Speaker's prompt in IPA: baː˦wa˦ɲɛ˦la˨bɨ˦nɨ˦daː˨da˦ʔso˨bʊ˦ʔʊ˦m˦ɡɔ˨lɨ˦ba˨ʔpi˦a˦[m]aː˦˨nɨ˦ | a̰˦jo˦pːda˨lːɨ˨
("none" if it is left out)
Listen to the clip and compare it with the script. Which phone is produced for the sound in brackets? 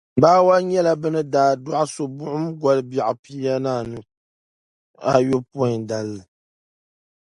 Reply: n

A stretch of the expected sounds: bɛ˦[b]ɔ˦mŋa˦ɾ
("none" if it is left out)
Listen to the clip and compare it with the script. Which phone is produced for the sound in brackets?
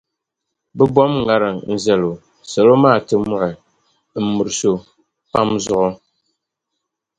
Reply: b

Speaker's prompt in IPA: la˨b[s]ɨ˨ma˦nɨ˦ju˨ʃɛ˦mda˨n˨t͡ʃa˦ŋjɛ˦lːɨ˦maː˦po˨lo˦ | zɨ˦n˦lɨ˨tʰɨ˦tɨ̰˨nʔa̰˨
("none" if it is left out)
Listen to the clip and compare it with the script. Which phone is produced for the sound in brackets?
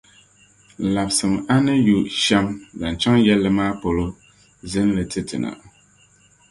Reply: s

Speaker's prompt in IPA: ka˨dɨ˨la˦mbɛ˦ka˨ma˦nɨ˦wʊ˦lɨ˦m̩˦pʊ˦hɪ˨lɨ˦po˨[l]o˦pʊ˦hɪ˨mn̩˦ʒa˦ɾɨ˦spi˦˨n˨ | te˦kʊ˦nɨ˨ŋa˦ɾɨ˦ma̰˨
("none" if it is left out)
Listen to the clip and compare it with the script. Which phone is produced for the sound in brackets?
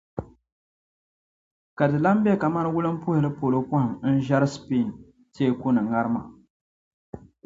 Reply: l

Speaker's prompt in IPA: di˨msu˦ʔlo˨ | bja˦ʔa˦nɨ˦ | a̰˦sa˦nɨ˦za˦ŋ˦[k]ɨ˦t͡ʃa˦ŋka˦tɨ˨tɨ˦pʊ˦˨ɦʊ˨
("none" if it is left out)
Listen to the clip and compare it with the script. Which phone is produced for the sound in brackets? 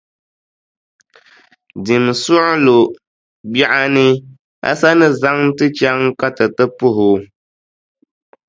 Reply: t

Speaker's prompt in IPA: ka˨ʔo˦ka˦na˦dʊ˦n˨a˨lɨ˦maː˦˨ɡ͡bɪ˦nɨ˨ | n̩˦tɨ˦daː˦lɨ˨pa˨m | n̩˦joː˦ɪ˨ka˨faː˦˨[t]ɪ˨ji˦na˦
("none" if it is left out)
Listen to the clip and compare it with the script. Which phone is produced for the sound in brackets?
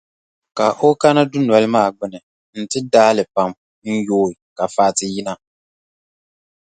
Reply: t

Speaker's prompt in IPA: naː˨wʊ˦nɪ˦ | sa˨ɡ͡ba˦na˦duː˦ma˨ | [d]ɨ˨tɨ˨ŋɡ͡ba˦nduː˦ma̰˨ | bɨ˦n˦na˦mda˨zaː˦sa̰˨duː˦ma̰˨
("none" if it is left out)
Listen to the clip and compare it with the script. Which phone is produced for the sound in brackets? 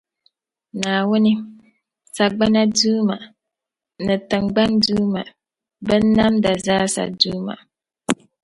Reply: n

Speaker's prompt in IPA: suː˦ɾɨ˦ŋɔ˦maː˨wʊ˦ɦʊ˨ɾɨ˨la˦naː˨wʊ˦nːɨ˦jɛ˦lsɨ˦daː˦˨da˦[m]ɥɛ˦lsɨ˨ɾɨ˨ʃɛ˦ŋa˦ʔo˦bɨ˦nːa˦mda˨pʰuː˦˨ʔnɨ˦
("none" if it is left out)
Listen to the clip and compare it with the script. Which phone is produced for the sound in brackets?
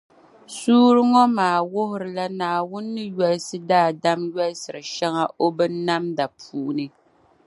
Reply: m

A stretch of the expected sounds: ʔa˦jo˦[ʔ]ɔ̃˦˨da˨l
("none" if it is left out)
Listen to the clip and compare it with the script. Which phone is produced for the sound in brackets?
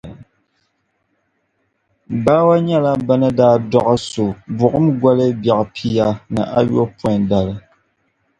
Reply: p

